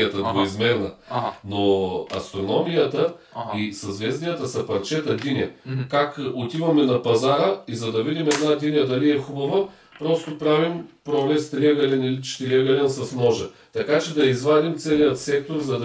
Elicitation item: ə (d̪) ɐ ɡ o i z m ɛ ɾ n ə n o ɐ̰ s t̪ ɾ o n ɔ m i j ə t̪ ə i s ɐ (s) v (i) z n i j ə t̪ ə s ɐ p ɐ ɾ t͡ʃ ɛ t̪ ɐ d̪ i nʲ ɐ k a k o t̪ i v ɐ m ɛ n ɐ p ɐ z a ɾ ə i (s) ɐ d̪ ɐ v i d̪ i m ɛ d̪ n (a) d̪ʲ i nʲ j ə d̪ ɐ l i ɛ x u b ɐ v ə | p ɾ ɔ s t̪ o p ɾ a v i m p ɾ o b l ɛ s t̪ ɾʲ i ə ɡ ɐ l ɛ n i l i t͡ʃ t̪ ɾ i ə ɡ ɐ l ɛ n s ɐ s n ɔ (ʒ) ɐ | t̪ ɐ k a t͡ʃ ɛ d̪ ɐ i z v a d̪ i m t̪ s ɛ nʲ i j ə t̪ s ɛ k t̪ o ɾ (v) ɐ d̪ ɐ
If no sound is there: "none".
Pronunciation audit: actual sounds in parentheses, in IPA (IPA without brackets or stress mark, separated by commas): t̪, z, ɛ, z, a, ʒ, z